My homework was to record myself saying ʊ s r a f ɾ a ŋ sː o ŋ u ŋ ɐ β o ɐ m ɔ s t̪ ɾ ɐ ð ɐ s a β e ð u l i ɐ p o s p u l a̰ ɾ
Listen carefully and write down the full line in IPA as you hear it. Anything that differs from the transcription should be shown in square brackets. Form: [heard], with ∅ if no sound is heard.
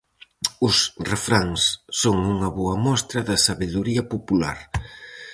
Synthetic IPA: ʊ s r [e] f ɾ a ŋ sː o ŋ u ŋ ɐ β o ɐ m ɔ s t̪ ɾ ɐ ð ɐ s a β e ð u [ɾ] i ɐ p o [∅] p u l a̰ ɾ